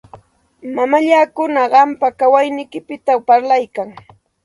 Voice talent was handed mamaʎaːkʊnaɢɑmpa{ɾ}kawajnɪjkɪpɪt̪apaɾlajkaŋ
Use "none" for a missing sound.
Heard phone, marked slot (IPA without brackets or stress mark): none